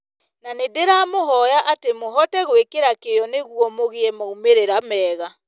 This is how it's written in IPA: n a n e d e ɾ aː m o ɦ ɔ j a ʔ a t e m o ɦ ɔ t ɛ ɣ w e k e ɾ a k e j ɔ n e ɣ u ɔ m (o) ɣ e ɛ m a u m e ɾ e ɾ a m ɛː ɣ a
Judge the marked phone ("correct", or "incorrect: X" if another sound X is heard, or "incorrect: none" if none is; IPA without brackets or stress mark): correct